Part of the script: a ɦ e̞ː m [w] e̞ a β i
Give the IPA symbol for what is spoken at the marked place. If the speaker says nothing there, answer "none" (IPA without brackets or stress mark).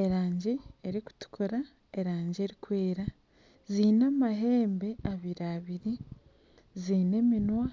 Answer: b